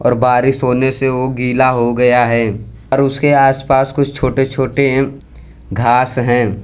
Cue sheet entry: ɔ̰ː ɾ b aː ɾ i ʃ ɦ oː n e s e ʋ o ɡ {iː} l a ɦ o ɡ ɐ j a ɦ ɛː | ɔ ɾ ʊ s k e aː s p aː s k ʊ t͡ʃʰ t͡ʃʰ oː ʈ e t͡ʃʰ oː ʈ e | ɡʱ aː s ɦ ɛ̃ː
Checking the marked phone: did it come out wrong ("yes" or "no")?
no